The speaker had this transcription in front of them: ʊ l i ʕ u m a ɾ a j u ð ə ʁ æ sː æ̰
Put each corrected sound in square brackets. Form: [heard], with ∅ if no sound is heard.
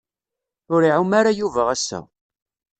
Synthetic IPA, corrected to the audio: ʊ [ɾ] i ʕ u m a ɾ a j u [v] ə ʁ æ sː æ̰